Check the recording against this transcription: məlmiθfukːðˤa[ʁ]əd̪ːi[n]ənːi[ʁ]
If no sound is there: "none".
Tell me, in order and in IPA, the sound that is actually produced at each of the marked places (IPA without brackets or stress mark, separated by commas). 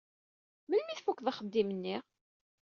χ, m, ʁ